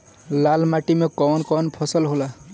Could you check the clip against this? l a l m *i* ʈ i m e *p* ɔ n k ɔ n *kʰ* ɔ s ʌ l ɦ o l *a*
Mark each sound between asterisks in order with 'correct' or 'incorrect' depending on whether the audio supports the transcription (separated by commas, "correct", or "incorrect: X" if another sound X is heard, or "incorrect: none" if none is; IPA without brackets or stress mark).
incorrect: a, incorrect: k, incorrect: pʰ, correct